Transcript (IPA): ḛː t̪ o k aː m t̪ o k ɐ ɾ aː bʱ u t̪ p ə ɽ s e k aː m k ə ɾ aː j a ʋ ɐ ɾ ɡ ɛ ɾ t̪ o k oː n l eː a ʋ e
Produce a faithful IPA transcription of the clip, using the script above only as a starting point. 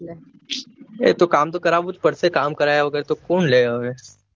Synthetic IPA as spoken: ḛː t̪ o k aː m t̪ o k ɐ ɾ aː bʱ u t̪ p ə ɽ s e k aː m k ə ɾ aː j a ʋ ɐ ɡ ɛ ɾ t̪ o k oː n l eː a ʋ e

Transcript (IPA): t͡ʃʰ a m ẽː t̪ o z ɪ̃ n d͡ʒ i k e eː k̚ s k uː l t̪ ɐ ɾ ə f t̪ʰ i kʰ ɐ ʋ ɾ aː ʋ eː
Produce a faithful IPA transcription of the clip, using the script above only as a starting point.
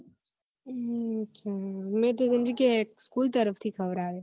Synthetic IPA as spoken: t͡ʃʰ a m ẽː t̪ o z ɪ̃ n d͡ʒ i k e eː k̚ s k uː l t̪ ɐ ɾ ə f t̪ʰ i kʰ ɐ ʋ ɾ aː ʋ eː

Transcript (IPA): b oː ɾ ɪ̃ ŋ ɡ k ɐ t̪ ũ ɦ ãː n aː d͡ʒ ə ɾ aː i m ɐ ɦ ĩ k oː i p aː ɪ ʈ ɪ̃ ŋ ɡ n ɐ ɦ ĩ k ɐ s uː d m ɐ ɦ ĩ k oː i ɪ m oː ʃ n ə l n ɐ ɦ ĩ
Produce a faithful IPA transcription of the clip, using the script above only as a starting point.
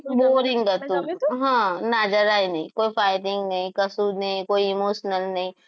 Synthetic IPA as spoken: b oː ɾ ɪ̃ ŋ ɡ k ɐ t̪ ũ ɦ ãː n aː d͡ʒ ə ɾ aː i n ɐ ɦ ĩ k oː i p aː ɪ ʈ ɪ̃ ŋ ɡ n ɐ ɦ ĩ k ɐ s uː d n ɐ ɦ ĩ k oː i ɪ m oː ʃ n ə l n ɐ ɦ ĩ

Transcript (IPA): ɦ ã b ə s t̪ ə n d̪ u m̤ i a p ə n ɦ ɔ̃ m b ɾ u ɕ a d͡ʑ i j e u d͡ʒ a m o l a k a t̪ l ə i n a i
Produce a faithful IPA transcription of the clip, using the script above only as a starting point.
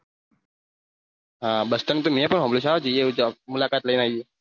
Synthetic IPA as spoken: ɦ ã b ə s t̪ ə n t̪ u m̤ i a p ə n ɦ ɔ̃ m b l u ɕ a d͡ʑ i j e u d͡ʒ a m u l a k a t̪ l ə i n a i

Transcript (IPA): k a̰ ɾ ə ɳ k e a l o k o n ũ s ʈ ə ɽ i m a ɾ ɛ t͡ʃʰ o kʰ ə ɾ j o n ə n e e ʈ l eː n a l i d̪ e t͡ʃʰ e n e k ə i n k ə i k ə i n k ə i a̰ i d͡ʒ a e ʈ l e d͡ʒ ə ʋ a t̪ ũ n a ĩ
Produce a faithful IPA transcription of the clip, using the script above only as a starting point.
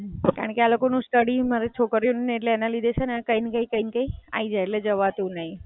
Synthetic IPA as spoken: k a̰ ɾ ə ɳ k e a l o k o n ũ s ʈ ə ɽ i m a ɾ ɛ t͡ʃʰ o k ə ɾ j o n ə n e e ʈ l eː n a l i d̪ e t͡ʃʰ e n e k ə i n k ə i k ə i n k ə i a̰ i d͡ʒ a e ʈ l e d͡ʒ ə ʋ a t̪ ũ n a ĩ

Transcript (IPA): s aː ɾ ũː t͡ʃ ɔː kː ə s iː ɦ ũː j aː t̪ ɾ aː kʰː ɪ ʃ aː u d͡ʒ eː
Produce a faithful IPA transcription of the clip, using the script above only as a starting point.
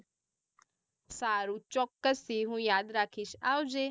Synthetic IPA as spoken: s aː ɾ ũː t͡ʃ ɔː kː ə s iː ɦ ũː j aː d̪ ɾ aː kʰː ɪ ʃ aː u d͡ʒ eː

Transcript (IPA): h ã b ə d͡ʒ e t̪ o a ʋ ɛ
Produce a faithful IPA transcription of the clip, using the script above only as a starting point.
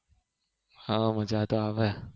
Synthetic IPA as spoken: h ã m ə d͡ʒ a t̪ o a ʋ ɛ

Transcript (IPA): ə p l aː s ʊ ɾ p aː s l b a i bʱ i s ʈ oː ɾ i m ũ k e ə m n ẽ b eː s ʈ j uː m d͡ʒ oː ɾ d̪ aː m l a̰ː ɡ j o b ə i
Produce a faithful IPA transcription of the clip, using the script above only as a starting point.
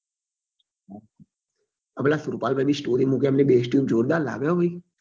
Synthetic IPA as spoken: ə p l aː s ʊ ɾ p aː l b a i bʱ i s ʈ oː ɾ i m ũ k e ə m n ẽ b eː s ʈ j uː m d͡ʒ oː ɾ d̪ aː l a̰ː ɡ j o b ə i

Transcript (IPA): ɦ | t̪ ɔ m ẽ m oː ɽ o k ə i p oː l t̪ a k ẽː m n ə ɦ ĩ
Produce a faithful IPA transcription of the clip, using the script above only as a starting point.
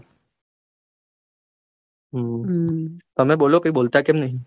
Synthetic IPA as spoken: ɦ | t̪ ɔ m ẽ b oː l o k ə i b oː l t̪ a k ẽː m n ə ɦ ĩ

